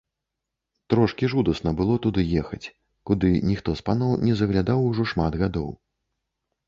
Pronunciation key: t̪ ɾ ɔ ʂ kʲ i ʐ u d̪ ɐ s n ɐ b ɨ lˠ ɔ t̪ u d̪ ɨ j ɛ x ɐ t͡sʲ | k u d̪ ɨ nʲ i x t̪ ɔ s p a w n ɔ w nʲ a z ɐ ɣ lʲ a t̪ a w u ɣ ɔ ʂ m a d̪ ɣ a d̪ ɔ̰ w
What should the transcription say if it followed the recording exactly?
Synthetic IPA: t̪ ɾ ɔ ʂ kʲ i ʐ u d̪ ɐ s n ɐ b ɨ lˠ ɔ t̪ u d̪ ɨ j ɛ x ɐ t͡sʲ | k u d̪ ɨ nʲ i x t̪ ɔ s p a n ɔ w nʲ ɛ z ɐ ɣ lʲ a d̪ a w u ʐ ɔ ʂ m a d̪ ɣ a d̪ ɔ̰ w